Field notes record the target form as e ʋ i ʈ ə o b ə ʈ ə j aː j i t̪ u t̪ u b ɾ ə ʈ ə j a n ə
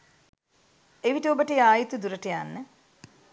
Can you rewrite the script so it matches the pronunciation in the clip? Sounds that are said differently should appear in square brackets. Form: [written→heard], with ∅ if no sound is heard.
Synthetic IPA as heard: e ʋ i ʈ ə o b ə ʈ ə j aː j i t̪ u [t̪→d̪] u [b→∅] ɾ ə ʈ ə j a [n→nː] ə